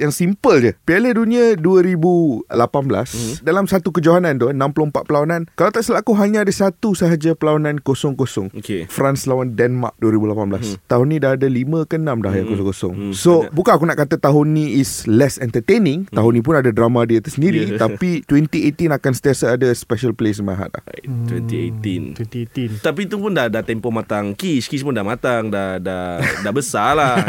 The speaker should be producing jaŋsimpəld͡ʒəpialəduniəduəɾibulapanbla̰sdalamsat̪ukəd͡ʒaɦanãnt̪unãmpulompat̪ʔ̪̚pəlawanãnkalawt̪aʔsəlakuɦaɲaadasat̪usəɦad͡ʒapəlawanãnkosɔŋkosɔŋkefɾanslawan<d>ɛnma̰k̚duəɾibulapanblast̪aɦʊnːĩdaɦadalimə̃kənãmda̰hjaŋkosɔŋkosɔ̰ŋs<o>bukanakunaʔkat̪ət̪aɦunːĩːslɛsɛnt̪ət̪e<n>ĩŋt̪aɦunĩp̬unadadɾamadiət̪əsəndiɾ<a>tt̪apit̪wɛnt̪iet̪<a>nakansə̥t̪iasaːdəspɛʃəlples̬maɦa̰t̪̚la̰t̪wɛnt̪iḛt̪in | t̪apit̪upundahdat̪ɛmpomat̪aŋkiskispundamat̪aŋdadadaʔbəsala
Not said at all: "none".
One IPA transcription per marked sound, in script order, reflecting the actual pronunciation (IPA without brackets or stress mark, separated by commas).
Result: d, o, n, i, i